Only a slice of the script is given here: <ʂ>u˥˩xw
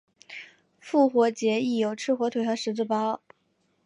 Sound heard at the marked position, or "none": f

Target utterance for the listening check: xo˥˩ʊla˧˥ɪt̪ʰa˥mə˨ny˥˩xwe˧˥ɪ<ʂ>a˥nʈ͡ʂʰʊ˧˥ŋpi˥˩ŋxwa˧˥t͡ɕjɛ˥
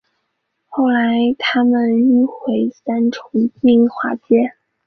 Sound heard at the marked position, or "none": s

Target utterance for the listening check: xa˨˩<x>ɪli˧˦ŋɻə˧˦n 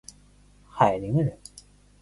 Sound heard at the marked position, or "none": none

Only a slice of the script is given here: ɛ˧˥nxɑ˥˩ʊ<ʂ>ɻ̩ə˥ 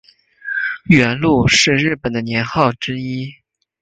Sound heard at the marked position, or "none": ʈ͡ʂ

